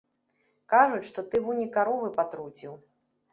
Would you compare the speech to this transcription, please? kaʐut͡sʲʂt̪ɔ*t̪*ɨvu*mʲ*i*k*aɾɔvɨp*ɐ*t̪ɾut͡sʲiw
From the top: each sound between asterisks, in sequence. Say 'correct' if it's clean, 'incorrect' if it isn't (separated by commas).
correct, incorrect, correct, incorrect